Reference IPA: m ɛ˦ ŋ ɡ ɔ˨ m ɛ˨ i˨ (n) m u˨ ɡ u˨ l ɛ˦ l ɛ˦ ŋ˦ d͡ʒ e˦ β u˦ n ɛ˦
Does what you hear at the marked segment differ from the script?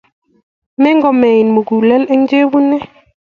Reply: no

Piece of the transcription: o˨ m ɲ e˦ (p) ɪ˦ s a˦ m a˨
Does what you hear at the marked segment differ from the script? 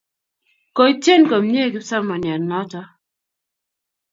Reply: yes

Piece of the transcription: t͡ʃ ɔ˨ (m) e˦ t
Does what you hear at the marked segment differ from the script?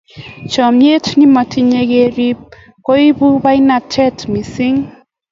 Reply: no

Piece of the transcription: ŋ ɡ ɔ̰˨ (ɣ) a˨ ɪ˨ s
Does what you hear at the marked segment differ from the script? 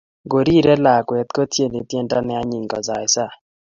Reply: yes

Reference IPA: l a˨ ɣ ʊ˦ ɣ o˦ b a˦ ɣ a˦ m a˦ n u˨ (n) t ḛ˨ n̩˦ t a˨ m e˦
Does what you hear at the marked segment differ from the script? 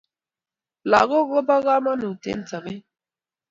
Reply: yes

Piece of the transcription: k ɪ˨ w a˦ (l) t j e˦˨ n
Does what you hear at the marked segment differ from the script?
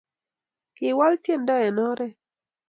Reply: no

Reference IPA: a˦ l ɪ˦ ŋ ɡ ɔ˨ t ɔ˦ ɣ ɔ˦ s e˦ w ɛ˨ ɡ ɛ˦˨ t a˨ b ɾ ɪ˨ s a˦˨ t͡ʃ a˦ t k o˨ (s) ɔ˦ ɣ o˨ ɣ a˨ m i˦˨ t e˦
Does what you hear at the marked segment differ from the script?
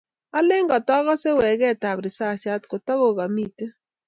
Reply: yes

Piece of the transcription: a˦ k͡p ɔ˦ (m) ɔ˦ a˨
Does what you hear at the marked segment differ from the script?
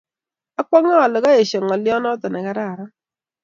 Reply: yes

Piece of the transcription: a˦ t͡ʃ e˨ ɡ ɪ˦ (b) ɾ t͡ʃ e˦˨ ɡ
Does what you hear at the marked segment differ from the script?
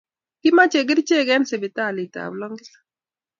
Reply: yes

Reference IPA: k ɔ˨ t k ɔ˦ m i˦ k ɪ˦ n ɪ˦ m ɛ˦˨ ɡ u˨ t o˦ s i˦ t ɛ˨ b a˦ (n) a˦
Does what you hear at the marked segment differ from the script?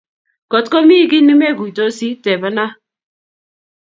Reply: no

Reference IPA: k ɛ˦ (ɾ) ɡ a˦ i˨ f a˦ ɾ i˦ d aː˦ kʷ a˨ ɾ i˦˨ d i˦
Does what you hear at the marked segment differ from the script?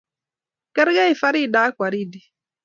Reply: no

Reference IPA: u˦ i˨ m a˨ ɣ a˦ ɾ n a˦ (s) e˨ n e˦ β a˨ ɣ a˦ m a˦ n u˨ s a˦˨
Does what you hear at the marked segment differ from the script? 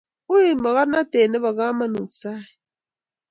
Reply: yes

